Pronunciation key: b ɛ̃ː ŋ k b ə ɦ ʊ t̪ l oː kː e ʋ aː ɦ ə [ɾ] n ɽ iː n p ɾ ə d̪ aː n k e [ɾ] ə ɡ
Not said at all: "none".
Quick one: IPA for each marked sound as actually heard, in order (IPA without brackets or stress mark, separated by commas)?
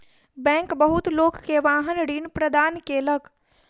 none, l